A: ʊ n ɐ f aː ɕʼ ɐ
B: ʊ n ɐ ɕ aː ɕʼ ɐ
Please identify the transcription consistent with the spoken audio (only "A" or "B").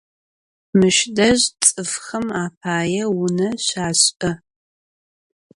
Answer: B